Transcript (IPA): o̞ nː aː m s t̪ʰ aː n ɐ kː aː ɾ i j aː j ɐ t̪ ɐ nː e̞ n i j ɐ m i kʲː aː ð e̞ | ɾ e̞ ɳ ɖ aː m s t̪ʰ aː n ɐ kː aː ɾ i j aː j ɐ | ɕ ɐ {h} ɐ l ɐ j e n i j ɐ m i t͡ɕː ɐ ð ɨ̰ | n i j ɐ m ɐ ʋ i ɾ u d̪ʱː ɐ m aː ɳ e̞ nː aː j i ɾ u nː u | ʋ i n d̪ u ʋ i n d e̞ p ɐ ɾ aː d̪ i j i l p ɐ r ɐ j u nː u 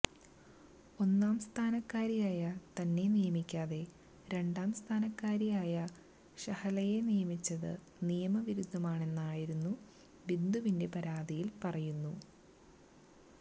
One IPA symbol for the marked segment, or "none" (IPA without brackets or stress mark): h